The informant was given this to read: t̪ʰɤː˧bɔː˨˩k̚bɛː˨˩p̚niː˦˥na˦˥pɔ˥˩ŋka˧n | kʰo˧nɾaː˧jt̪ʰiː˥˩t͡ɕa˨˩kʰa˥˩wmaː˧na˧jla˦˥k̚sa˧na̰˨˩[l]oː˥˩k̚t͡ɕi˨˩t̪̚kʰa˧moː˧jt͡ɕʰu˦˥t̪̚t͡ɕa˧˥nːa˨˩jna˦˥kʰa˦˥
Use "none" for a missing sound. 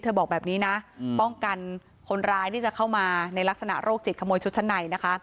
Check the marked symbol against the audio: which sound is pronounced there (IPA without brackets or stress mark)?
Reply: ɾ